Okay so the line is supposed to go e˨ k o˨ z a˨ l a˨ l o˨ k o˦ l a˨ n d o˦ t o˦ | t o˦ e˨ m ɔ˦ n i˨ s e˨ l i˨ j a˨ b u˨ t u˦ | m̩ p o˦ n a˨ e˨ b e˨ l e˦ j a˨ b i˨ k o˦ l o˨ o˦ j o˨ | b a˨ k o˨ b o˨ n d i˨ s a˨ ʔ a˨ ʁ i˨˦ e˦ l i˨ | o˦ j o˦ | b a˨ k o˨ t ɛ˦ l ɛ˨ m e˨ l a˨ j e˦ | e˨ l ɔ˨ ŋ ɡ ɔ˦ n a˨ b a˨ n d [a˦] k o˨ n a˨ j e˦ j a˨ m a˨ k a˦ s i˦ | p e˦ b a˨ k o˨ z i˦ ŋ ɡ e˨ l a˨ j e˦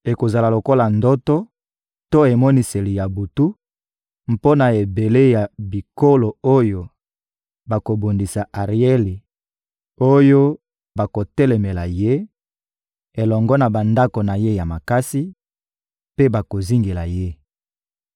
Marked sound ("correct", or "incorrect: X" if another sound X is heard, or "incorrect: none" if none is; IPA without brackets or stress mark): correct